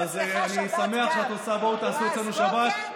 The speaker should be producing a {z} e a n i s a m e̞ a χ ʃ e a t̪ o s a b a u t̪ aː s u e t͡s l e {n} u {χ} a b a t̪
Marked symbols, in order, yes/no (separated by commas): yes, yes, no